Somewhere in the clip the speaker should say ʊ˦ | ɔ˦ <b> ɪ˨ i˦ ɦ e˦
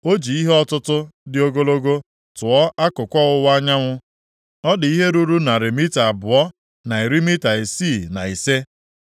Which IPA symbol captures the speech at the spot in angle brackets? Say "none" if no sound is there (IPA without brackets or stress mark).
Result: d